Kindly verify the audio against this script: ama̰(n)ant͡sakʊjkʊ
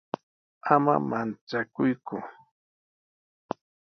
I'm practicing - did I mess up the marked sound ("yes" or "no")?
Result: yes